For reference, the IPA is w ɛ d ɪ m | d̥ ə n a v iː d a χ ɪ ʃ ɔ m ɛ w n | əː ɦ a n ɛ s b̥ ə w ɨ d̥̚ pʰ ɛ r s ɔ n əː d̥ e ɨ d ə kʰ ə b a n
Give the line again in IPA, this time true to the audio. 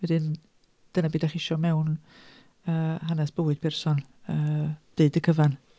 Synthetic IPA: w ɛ d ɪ n | d̥ ə n a b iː d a χ ɪ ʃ ɔ m ɛ w n | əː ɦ a n ɛ s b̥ ə w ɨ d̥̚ pʰ ɛ r s ɔ n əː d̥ e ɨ d ə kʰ ə v a n